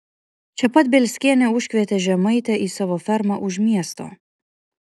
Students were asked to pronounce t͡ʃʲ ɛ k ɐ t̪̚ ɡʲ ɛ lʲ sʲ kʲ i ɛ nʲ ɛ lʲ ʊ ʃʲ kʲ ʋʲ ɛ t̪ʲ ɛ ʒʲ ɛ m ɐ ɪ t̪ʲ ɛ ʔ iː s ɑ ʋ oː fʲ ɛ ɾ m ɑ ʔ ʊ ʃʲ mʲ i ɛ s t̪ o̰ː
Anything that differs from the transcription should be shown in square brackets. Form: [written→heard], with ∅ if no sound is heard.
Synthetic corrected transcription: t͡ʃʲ ɛ [k→p] ɐ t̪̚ [ɡʲ→bʲ] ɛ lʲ sʲ kʲ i ɛ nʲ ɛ [lʲ→∅] ʊ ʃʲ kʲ ʋʲ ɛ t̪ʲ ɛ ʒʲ ɛ m ɐ ɪ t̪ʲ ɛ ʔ iː s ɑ ʋ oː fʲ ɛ ɾ m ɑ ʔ ʊ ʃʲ mʲ i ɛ s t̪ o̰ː